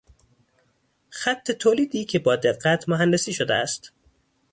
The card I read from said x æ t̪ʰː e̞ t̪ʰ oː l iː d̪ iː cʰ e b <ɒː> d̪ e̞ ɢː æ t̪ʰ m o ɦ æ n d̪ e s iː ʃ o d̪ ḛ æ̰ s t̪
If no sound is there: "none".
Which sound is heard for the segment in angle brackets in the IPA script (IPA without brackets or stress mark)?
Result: ɒː